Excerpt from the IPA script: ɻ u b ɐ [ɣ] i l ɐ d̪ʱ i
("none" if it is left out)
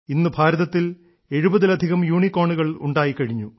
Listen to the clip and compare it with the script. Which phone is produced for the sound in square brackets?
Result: ð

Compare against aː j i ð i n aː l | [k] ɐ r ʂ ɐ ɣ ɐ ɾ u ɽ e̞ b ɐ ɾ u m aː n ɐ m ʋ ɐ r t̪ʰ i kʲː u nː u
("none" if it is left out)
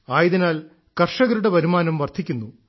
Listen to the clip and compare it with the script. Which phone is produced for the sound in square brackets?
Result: k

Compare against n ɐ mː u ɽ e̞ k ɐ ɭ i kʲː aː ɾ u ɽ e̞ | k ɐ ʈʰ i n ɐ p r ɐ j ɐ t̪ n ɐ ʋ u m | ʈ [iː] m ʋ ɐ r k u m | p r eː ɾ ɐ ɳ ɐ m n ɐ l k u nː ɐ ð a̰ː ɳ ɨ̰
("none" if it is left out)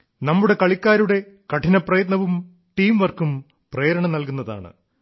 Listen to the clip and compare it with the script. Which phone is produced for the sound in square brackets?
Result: iː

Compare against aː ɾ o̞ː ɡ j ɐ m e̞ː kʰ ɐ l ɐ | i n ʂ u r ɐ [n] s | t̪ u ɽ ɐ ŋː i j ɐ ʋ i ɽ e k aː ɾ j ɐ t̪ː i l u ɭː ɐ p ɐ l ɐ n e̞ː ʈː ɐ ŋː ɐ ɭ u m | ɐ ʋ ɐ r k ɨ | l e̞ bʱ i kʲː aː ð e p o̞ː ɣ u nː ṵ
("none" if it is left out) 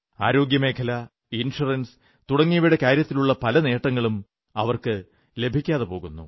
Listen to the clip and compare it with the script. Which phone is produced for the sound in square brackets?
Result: n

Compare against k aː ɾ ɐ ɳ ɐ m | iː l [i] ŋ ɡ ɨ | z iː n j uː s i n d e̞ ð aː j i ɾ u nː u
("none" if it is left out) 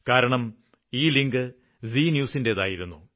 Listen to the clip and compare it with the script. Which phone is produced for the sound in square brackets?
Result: i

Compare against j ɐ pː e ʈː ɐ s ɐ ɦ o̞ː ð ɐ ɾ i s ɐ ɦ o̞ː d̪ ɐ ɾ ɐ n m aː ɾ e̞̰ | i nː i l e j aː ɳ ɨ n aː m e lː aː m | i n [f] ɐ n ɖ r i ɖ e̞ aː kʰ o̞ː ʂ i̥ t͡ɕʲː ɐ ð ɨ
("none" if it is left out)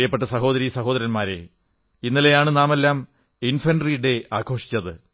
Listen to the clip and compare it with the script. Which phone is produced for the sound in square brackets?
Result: f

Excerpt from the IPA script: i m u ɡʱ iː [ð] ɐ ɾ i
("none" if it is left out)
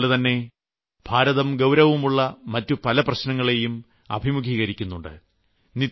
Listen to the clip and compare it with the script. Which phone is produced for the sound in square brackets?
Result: ɣ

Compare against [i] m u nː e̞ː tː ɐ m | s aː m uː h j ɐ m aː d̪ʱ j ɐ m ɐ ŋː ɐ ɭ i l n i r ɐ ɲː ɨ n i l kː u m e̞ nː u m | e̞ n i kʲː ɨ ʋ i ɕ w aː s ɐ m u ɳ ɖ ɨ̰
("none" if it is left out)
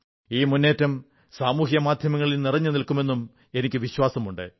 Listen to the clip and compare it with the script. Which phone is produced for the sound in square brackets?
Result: iː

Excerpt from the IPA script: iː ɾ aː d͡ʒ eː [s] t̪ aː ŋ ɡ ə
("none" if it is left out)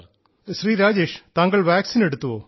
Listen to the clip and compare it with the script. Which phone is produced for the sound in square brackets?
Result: ʃ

